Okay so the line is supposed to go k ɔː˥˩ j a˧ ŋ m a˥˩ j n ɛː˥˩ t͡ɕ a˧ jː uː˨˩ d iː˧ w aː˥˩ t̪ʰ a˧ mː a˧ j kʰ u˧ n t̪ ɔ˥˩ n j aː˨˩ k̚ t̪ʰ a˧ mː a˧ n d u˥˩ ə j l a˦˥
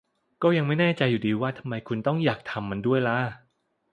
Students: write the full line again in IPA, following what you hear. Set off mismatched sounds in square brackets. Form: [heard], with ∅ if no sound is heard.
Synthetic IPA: k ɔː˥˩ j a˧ ŋ m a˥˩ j n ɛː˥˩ t͡ɕ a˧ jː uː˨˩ d iː˧ w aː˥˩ t̪ʰ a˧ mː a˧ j kʰ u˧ n t̪ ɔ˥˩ [ŋ] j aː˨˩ k̚ t̪ʰ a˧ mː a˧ n d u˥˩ ə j l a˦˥

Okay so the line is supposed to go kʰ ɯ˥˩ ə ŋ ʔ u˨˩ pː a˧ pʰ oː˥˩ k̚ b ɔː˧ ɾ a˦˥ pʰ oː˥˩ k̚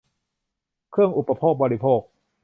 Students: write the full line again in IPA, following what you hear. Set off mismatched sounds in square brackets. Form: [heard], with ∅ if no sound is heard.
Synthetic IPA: kʰ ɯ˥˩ ə ŋ ʔ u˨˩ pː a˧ pʰ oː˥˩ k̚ b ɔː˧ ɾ [i˦˥] pʰ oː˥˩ k̚

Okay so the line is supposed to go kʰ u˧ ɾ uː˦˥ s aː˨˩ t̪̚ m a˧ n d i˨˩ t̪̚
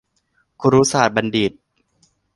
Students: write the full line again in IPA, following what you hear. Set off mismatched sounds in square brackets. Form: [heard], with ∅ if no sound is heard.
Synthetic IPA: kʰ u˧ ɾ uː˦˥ s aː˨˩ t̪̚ [b] a˧ n d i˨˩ t̪̚

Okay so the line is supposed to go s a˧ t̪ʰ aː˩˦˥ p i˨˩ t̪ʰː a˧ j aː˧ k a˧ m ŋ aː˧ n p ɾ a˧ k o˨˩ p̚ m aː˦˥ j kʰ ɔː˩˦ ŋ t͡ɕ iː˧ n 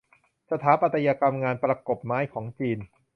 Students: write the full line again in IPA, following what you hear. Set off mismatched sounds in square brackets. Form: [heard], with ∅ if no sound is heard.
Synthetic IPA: s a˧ t̪ʰ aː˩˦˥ p [a˨˩] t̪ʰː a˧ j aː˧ k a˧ m ŋ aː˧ n p ɾ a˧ k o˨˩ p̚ m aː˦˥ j kʰ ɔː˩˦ ŋ t͡ɕ iː˧ n

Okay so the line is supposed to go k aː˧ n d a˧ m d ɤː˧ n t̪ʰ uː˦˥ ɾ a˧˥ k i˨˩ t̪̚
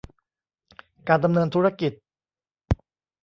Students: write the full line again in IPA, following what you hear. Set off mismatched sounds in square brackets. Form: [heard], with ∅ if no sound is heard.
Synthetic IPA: k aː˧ n d a˧ m [n] ɤː˧ n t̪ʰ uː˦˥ ɾ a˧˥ k i˨˩ t̪̚

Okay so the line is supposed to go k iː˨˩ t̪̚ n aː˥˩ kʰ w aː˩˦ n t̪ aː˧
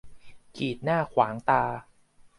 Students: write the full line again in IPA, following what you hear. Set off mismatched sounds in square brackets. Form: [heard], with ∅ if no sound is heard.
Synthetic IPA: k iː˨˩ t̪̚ n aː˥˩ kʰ w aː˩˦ [ŋ] t̪ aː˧

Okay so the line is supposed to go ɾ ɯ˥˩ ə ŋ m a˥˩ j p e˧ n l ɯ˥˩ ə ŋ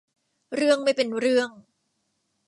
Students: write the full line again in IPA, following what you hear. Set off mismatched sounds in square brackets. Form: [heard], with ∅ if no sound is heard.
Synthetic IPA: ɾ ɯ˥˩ ə ŋ m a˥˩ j p e˧ n [ɾ] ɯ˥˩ ə ŋ

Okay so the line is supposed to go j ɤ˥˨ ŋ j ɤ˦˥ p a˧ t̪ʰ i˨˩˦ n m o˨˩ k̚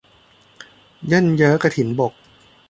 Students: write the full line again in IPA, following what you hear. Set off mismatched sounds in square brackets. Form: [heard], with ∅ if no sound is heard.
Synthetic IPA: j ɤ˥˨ [n] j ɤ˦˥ [k] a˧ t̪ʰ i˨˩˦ n [b] o˨˩ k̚

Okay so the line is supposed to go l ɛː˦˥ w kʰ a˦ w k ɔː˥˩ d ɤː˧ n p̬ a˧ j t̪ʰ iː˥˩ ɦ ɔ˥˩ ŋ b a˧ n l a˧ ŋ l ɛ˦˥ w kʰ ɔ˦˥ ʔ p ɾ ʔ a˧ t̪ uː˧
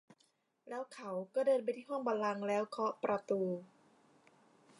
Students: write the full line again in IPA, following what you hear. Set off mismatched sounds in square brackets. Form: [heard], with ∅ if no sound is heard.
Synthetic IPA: l ɛː˦˥ w kʰ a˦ w k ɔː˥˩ d ɤː˧ n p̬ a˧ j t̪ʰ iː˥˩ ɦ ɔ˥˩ ŋ b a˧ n l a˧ ŋ l [ɛː˦˥] w kʰ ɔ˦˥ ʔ p ɾ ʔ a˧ t̪ uː˧

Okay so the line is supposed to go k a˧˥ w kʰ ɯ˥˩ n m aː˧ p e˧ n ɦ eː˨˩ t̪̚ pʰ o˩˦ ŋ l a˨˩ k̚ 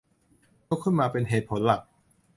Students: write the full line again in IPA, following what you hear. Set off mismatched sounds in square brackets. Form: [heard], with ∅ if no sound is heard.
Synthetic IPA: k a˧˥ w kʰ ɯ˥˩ n m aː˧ p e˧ n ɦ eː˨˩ t̪̚ pʰ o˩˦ [n] l a˨˩ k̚

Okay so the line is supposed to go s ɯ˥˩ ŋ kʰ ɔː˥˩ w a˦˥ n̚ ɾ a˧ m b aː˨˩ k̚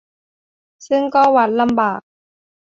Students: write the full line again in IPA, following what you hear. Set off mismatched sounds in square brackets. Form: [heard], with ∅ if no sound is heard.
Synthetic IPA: s ɯ˥˩ ŋ [k] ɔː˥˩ w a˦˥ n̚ [l] a˧ m b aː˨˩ k̚

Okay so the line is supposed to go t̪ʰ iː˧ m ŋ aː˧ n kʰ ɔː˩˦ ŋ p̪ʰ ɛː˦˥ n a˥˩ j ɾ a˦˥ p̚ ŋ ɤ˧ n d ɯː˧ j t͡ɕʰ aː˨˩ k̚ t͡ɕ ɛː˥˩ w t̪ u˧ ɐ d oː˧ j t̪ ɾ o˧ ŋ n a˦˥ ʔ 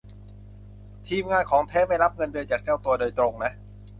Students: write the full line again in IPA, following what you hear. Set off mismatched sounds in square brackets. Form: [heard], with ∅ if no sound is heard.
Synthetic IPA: t̪ʰ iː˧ m ŋ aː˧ n kʰ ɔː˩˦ ŋ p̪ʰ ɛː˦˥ [m] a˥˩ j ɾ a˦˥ p̚ ŋ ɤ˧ n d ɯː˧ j [t͡ɕ] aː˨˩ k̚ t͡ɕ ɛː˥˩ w t̪ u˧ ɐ d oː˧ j t̪ ɾ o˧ ŋ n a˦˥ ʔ

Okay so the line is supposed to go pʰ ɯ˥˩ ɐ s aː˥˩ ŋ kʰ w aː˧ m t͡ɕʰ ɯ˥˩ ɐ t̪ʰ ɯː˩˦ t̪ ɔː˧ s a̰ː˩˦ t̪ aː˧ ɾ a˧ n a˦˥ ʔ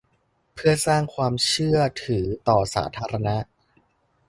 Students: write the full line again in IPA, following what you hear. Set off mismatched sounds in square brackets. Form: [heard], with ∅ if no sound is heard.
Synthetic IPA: pʰ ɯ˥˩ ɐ s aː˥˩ ŋ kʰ w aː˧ m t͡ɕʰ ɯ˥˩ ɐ t̪ʰ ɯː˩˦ t̪ [ɔː˨˩] s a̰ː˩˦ [t̪ʰ] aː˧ ɾ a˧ n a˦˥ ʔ

